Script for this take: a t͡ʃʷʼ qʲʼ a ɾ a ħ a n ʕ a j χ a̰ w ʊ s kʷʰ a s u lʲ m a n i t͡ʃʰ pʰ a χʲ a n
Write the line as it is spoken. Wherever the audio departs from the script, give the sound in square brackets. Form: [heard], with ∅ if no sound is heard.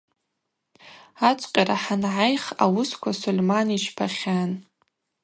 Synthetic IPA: a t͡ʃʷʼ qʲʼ a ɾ a ħ a n ʕ a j χ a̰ w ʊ s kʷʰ a s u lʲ m a n i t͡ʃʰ pʰ a χʲ a n